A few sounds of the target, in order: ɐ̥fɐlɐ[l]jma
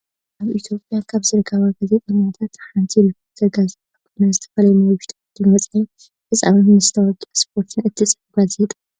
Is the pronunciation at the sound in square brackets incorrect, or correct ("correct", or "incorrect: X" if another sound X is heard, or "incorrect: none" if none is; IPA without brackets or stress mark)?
incorrect: none